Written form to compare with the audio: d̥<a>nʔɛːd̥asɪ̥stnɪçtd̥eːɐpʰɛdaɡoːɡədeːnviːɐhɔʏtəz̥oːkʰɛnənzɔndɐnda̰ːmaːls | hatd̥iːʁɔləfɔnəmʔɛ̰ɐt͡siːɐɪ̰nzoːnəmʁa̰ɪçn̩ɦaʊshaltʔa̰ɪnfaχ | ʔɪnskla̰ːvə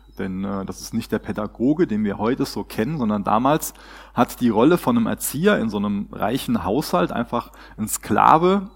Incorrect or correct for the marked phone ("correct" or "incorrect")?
incorrect